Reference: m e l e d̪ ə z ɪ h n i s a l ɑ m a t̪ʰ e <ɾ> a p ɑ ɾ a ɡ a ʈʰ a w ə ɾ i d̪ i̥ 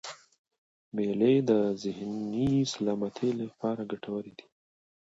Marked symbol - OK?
no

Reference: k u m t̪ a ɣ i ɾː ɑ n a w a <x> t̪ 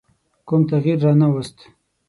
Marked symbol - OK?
no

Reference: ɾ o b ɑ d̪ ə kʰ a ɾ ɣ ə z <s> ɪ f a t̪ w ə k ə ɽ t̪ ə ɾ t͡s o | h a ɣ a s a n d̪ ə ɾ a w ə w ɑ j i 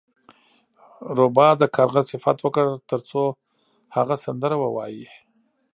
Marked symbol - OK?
yes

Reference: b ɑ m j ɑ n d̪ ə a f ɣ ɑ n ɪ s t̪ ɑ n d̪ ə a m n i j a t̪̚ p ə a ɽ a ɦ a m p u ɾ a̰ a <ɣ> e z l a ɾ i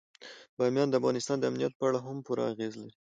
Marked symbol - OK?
yes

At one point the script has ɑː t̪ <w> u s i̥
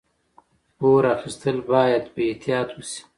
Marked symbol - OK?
yes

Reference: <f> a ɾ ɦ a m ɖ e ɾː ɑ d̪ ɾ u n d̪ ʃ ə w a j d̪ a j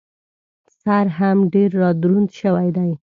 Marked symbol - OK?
no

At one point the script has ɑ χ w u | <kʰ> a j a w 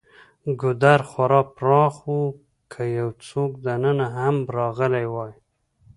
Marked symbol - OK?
yes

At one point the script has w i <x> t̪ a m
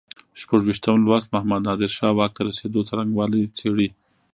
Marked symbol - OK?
no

